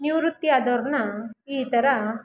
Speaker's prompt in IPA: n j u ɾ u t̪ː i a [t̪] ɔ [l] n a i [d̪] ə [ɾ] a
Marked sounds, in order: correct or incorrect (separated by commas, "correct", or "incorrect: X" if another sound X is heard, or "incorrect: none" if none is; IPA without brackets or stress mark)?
incorrect: d̪, incorrect: ɾ, incorrect: t̪, correct